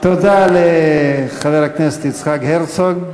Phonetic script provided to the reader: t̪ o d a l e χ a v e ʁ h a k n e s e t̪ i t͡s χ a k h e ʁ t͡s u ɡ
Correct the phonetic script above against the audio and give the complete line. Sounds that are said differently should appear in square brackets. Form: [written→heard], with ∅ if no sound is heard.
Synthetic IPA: t̪ o d a l e χ a v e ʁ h a k n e s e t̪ i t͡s χ a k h e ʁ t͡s [u→o] ɡ